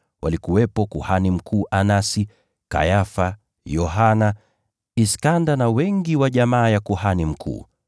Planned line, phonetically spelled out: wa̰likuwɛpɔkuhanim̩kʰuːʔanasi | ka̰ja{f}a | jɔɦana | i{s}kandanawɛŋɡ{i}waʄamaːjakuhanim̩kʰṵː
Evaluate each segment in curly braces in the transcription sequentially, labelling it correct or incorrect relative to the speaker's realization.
correct, correct, correct

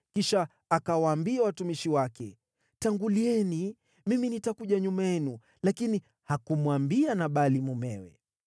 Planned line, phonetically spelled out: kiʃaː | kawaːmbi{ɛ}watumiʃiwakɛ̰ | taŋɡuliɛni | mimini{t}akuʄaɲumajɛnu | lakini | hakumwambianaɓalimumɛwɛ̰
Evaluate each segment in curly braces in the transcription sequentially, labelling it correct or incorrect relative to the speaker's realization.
incorrect, correct

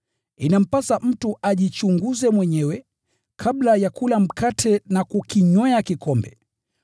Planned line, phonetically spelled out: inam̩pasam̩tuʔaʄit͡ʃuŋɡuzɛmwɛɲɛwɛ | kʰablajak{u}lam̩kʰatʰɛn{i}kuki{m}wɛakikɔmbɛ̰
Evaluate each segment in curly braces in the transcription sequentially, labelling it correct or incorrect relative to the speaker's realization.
correct, incorrect, incorrect

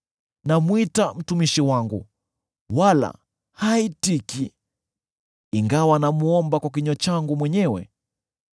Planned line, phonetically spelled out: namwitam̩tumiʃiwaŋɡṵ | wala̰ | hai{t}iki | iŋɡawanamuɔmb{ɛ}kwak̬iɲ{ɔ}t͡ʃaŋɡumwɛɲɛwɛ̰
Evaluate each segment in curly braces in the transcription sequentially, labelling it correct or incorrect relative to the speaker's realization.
correct, incorrect, correct

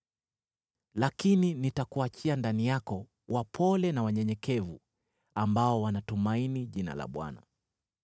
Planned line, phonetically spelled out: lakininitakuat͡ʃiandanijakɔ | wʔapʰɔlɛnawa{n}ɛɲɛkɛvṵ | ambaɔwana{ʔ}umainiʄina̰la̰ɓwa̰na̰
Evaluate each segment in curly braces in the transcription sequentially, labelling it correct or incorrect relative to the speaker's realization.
incorrect, incorrect

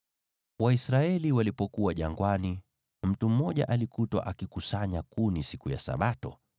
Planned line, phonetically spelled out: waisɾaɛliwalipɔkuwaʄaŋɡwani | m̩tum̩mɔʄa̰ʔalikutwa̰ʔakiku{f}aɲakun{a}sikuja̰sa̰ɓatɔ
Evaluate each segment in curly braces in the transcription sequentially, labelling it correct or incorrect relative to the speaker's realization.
incorrect, incorrect

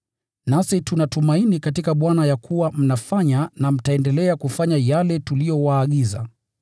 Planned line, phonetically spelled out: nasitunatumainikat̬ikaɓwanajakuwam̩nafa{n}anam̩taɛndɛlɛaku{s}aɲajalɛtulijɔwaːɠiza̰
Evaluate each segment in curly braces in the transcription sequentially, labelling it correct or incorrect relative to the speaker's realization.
incorrect, incorrect

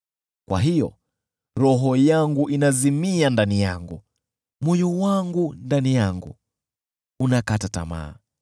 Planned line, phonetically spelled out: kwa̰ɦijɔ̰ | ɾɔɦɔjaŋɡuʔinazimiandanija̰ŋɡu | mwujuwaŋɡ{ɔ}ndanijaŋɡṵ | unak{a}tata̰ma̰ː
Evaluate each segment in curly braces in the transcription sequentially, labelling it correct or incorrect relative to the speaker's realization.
incorrect, correct

